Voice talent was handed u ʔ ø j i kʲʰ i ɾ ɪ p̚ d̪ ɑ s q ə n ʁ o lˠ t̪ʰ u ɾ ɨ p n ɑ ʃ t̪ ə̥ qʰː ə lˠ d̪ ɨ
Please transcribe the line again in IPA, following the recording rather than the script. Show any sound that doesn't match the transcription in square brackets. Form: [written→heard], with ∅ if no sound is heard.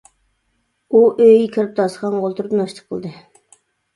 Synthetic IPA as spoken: u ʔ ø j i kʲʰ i ɾ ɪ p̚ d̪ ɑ s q [ə→ɑ] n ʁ o lˠ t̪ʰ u ɾ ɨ p n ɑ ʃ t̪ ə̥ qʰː ə lˠ d̪ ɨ